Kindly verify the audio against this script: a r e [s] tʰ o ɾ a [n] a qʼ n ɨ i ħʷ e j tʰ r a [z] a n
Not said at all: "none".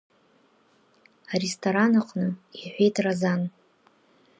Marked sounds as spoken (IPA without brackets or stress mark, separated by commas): s, n, z